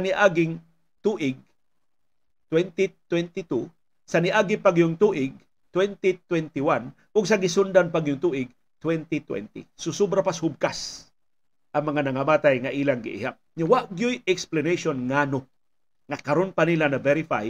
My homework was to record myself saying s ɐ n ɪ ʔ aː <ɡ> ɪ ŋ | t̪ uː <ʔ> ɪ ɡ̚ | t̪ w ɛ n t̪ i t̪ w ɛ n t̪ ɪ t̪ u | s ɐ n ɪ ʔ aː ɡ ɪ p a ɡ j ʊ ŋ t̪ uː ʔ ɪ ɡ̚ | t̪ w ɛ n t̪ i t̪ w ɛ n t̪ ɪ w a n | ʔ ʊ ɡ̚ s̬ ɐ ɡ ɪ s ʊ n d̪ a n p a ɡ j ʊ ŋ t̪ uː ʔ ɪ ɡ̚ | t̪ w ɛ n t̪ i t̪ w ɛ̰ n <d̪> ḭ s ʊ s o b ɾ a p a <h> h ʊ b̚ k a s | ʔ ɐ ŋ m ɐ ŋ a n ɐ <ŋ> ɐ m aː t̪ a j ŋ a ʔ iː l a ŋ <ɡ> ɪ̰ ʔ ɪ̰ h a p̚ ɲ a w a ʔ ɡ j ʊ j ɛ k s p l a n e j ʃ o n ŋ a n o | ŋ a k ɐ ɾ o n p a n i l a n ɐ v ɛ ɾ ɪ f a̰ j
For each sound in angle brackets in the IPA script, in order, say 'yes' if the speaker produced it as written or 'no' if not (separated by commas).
yes, yes, no, no, yes, yes